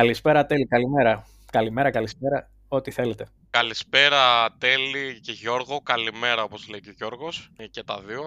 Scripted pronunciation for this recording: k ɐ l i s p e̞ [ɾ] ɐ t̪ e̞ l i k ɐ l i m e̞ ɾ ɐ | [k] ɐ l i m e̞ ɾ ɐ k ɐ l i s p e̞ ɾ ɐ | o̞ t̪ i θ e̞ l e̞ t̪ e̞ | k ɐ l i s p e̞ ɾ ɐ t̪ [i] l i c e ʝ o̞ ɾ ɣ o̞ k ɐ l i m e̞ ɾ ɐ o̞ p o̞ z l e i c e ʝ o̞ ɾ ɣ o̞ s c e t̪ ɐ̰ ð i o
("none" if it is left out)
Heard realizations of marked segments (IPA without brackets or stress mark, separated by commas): ɾ, k, e